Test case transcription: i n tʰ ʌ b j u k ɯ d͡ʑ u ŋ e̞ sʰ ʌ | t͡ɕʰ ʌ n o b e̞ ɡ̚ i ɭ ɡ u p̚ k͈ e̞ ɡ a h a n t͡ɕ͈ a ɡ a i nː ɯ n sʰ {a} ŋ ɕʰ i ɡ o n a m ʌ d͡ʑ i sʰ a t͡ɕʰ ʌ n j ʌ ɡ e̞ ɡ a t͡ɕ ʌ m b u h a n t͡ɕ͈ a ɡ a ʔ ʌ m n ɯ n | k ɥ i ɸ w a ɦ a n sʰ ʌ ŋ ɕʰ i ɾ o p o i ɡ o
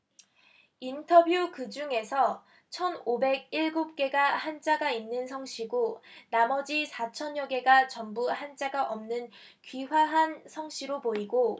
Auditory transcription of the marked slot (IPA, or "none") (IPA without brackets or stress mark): ʌ